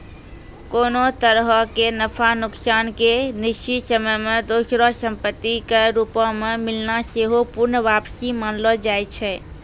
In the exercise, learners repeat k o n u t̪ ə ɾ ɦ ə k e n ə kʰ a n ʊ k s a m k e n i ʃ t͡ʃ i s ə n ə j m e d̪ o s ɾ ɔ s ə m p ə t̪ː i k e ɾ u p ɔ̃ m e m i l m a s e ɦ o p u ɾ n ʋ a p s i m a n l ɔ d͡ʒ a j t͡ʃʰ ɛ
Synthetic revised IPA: k o n o t̪ ə ɾ ɦ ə k e n ə pʰ a n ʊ k s a n k e n i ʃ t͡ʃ i s ə m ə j m e d̪ o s ɾ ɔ s ə m p ə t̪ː i k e ɾ u p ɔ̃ m e m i l n a s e ɦ o p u ɾ n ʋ a p s i m a n l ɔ d͡ʒ a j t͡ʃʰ ɛ